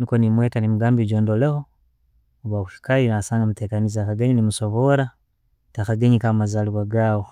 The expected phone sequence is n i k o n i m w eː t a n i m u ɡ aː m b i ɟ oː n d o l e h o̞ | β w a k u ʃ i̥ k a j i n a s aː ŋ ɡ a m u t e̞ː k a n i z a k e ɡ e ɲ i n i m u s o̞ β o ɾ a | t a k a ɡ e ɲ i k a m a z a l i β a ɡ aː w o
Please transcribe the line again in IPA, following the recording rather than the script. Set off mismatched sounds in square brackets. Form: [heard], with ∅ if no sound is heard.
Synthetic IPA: n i k o n i m w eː t a n i m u ɡ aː m b i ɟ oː n d o l e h o̞ | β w a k u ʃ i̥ k a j i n a s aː ŋ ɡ a m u t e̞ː k a n i z a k [a] ɡ e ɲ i n i m u s o̞ β o ɾ a | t a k a ɡ e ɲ i k a m a z a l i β a ɡ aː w o